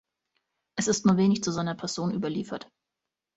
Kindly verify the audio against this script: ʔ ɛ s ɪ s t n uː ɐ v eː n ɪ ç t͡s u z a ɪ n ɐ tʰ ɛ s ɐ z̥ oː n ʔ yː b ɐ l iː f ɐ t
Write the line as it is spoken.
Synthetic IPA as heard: ʔ ɛ s ɪ s t n uː ɐ v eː n ɪ ç t͡s u z a ɪ n ɐ pʰ ɛ ɐ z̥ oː n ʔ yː b ɐ l iː f ɐ t